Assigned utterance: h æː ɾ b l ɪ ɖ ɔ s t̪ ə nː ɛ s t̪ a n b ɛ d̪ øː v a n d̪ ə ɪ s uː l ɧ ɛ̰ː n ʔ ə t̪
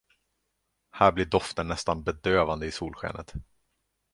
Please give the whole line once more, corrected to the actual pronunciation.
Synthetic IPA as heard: h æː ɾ b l ɪ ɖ ɔ f t̪ ə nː ɛ s t̪ a n b ɛ d̪ øː v a n d̪ ə ɪ s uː l ɧ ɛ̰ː n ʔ ə t̪

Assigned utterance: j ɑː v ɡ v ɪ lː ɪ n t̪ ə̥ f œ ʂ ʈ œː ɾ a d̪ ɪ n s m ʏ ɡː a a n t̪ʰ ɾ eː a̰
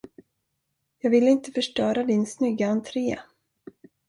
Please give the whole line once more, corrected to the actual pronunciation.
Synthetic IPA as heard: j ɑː ɡ v ɪ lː ɪ n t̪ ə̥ f œ ʂ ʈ œː ɾ a d̪ ɪ n s n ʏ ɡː a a n t̪ʰ ɾ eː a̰

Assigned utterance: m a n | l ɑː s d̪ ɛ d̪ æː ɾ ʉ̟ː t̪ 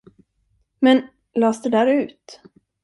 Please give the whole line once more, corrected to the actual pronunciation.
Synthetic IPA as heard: m ɛ n | l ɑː s d̪ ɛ d̪ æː ɾ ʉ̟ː t̪

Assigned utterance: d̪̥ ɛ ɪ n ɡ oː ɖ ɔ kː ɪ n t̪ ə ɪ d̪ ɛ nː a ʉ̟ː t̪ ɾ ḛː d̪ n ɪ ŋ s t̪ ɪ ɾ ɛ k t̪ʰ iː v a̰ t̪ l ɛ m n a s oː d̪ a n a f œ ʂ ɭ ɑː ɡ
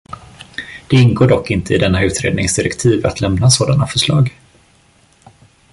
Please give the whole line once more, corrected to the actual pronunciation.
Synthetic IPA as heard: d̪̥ ɛ ɪ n ɡ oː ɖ ɔ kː ɪ n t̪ ə ɪ d̪ ɛ nː a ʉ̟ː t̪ ɾ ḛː d̪ n ɪ ŋ s d̪ ɪ ɾ ɛ k t̪ʰ iː v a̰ t̪ l ɛ m n a s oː d̪ a n a f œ ʂ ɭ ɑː ɡ

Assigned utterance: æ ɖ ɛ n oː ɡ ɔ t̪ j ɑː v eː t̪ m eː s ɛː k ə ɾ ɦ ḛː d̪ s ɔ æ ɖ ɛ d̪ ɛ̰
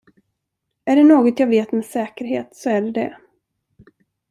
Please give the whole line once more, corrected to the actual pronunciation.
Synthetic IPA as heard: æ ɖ ɛ n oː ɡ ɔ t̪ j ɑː v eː t̪ m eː s ɛː k ə ɾ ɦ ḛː t̪ s ɔ æ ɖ ɛ d̪ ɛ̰

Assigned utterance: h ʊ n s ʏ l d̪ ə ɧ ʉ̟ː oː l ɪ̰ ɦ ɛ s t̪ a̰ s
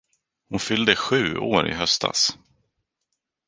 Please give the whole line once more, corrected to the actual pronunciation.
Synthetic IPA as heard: h ʊ n f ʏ l d̪ ə ɧ ʉ̟ː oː ɾ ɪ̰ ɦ œ s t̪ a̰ s

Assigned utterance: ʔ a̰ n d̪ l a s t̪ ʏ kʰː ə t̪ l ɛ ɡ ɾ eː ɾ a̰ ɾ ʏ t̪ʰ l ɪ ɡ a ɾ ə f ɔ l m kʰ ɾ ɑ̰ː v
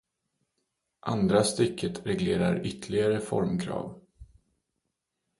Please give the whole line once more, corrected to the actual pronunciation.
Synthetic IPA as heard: ʔ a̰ n d̪ ɾ a s t̪ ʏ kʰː ə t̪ ɾ ɛ ɡ l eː ɾ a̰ ɾ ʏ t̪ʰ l ɪ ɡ a ɾ ə f ɔ ɾ m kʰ ɾ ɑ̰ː v

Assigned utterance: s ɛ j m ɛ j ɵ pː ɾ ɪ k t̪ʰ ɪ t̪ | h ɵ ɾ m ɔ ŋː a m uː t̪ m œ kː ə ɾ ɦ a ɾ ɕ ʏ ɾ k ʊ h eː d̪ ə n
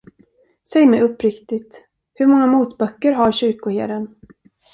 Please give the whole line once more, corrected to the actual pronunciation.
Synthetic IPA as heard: s ɛ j m ɛ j ɵ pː ɾ ɪ k t̪ ɪ t̪ | h ɵ ɾ m ɔ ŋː a m uː t̪ b œ kː ə ɾ ɦ a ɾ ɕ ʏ ɾ k ʊ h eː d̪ ə n

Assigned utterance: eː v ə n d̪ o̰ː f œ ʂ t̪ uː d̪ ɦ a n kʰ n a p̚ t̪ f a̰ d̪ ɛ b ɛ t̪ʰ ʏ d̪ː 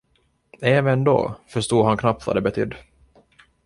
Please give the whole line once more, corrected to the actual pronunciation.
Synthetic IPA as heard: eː v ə n d̪ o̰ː f œ ʂ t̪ uː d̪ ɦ a n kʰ n a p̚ t̪ v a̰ d̪ ɛ b ɛ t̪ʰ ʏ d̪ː

